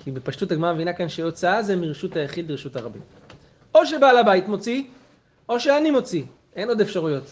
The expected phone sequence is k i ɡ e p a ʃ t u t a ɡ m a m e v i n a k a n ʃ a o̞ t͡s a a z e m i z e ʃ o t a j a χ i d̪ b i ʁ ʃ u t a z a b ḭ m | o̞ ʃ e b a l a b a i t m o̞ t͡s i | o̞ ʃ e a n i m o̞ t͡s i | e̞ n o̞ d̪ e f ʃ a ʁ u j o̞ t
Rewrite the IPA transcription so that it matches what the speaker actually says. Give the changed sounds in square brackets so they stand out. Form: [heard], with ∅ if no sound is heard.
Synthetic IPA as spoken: k i [b] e p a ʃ t u t a ɡ m a m e v i n a k a n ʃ [e] o̞ t͡s a a z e m i [ʁ] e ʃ [u] t a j a χ i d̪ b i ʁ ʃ u t a [ʁ] a b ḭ m | o̞ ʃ e b a l a b a i t m o̞ t͡s i | o̞ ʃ e a n i m o̞ t͡s i | e̞ n o̞ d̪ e f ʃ a ʁ u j o̞ t